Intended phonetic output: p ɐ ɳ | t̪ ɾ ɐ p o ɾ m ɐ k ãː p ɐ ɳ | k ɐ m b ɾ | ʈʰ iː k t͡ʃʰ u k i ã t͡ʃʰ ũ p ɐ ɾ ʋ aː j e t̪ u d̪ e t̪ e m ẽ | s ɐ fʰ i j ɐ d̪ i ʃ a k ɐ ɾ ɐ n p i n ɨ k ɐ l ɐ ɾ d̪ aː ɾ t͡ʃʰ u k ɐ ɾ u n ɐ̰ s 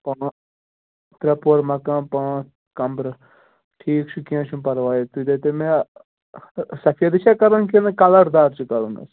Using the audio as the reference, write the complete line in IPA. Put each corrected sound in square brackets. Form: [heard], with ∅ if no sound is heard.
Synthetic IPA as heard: p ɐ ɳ | t̪ ɾ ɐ p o ɾ m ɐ k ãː p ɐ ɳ | k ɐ m b ɾ | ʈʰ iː k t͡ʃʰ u k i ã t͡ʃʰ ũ p ɐ ɾ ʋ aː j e t̪ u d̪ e t̪ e m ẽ | s ɐ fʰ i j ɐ d̪ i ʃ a k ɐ ɾ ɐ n [k] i n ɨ k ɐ l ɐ ɾ d̪ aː ɾ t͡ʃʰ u k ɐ ɾ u n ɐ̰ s